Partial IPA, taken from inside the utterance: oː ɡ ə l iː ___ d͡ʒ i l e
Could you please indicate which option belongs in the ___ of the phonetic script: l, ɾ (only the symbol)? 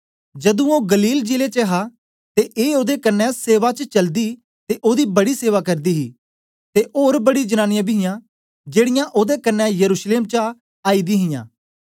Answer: l